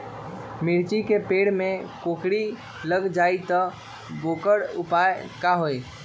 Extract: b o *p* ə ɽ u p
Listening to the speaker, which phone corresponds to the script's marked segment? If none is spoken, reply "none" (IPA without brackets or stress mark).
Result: k